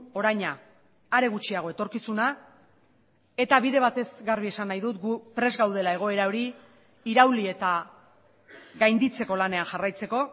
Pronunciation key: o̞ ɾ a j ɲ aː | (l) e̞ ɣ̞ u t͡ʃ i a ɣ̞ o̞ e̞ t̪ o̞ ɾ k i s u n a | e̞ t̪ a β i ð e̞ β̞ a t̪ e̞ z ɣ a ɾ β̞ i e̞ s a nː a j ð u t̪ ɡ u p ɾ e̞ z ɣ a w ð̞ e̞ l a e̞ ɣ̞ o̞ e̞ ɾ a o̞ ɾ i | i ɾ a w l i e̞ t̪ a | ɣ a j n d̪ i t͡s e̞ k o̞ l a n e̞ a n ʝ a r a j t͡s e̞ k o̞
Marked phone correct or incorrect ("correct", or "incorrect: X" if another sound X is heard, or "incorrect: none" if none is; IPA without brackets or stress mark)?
incorrect: ɾ